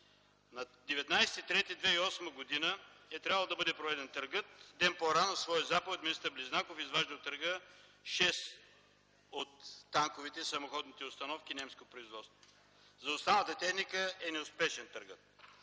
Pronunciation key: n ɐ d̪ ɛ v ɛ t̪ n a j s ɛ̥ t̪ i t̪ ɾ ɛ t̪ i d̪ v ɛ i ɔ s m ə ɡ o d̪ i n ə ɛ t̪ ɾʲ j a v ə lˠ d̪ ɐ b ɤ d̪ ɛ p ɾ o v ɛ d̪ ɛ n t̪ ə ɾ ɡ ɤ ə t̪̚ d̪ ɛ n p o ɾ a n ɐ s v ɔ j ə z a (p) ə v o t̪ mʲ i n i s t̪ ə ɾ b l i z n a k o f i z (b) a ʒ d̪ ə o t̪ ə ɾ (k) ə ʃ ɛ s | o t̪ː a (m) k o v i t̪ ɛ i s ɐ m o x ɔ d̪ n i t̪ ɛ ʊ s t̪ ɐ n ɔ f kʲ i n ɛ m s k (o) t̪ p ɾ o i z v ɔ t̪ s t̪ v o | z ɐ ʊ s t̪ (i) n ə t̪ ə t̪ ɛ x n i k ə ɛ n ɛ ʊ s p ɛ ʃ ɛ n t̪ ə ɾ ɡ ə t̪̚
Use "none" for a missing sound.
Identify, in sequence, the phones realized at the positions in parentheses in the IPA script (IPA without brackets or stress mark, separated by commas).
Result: p, v, ɡ, ŋ, o, a